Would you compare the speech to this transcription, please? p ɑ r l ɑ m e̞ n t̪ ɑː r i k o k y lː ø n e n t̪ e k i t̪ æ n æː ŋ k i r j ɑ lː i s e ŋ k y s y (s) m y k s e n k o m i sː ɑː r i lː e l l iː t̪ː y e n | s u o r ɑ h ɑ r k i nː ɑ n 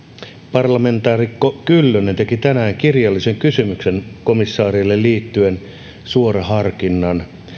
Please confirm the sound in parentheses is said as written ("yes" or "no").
no